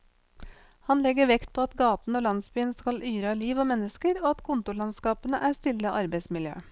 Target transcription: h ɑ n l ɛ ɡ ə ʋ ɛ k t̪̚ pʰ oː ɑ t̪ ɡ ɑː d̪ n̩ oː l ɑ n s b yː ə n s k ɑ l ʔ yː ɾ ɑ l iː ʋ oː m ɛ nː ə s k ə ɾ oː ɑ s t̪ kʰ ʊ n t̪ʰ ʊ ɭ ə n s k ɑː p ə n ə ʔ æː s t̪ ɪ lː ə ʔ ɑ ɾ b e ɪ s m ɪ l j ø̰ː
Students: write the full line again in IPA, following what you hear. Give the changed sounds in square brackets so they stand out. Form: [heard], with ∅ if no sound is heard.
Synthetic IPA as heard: h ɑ n l ɛ ɡ ə ʋ ɛ k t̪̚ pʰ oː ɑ t̪ ɡ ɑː [t̪] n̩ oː l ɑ n s b yː ə n s k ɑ l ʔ yː ɾ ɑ l iː ʋ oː m ɛ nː ə s k ə ɾ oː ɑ [∅] t̪ kʰ ʊ n [t̪] ʊ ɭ [ɑ] n s k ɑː p ə n ə ʔ æː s t̪ ɪ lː ə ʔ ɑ ɾ b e ɪ s m ɪ l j ø̰ː